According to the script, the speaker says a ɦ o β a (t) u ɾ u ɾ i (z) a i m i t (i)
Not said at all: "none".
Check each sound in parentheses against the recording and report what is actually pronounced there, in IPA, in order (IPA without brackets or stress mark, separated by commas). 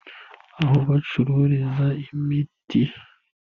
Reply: t͡ʃ, z, i